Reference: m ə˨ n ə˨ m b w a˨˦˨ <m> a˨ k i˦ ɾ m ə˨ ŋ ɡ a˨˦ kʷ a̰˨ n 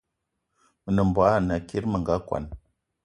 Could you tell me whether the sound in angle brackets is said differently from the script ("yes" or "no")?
yes